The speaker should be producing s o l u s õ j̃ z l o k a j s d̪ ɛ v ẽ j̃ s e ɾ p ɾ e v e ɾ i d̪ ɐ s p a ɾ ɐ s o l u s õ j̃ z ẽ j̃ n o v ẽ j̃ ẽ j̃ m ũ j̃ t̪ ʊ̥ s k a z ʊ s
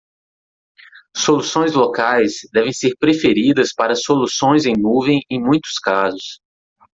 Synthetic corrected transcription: s o l u s õ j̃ z l o k a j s d̪ ɛ v ẽ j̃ s e ɾ p ɾ e f e ɾ i d̪ ɐ s p a ɾ ɐ s o l u s õ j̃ z ẽ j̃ n u v ẽ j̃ ẽ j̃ m ũ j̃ t̪ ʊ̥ s k a z ʊ s

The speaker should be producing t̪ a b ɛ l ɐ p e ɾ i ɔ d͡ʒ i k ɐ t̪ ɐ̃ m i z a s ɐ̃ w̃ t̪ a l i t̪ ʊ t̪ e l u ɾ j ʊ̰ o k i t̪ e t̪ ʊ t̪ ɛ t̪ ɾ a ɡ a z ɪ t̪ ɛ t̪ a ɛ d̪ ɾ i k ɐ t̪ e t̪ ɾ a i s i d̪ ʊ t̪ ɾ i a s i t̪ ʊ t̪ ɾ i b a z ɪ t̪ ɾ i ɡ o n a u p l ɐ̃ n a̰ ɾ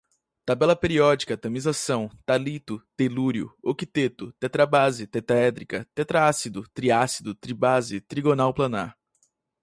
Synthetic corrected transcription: t̪ a b ɛ l ɐ p e ɾ i ɔ d͡ʒ i k ɐ t̪ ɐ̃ m i z a s ɐ̃ w̃ t̪ a l i t̪ ʊ t̪ e l u ɾ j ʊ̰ o k i t̪ e t̪ ʊ t̪ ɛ t̪ ɾ a b a z ɪ t̪ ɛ t̪ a ɛ d̪ ɾ i k ɐ t̪ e t̪ ɾ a a s i d̪ ʊ t̪ ɾ i a s i d̪ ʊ t̪ ɾ i b a z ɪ t̪ ɾ i ɡ o n a w p l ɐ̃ n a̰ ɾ

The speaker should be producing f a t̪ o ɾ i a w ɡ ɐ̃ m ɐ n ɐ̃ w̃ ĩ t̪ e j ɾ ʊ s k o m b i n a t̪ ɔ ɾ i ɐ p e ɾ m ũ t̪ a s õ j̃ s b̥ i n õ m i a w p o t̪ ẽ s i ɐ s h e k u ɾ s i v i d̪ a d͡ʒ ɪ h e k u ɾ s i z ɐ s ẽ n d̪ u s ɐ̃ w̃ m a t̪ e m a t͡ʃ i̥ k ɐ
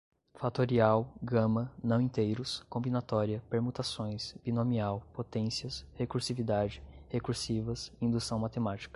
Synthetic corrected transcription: f a t̪ o ɾ i a w ɡ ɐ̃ m ɐ n ɐ̃ w̃ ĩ t̪ e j ɾ ʊ s k õ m b i n a t̪ ɔ ɾ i ɐ p e ɾ m u t̪ a s õ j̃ s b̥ i n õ m i a w p o t̪ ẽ s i ɐ s h e k u ɾ s i v i d̪ a d͡ʒ ɪ h e k u ɾ s i v ɐ s ĩ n d̪ u s ɐ̃ w̃ m a t̪ e m a t͡ʃ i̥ k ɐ

